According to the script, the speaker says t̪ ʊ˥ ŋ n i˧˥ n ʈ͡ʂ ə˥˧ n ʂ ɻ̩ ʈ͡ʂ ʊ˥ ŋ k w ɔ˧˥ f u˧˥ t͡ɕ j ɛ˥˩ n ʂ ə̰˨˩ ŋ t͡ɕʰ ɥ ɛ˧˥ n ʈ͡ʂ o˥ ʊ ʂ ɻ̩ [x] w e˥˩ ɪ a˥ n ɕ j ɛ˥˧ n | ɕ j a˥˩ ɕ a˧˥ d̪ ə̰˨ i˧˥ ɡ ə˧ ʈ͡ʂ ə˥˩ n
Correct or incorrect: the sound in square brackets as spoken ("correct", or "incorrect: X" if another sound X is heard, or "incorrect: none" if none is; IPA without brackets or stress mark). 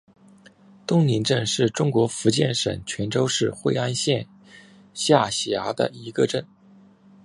correct